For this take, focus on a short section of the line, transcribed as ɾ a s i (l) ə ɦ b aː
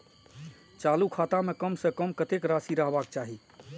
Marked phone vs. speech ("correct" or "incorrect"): incorrect